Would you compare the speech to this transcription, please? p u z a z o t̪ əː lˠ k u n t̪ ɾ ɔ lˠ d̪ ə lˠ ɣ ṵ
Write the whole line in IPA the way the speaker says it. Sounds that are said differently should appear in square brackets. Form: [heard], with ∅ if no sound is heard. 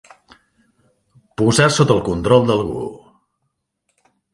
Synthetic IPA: p u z a [s] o t̪ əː lˠ k u n t̪ ɾ ɔ lˠ d̪ ə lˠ ɣ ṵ